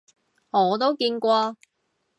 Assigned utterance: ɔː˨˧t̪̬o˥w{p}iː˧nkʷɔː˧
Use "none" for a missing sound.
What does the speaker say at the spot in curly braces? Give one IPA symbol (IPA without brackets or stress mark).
k